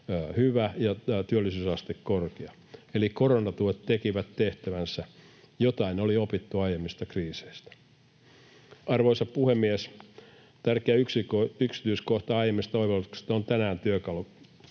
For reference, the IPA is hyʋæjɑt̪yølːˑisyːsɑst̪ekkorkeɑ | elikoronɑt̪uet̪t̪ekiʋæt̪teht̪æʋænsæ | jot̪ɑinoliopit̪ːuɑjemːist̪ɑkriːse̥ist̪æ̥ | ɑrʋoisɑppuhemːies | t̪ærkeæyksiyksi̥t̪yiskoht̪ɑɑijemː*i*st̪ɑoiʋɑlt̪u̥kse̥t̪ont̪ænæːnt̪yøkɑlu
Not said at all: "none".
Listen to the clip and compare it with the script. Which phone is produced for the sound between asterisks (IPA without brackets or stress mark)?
i